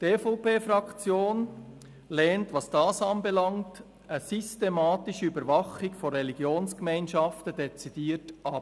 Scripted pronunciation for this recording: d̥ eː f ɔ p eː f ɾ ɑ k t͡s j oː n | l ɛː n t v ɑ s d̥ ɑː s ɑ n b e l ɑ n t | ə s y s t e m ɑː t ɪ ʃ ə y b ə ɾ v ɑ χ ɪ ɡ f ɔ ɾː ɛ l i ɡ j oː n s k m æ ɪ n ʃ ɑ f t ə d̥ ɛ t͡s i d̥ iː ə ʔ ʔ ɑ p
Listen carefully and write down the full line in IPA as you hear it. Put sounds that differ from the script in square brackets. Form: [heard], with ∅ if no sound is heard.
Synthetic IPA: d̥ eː f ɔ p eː f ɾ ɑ k t͡s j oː n | l ɛː n t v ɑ s d̥ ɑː s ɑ n b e l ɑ [ŋ] t | ə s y s t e m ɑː t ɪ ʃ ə y b ə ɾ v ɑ χ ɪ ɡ f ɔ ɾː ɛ l i ɡ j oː n s k m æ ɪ n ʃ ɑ f t ə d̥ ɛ t͡s i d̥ iː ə [t] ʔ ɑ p